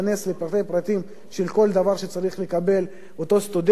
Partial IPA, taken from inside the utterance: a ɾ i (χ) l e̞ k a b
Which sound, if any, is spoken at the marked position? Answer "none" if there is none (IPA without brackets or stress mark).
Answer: χ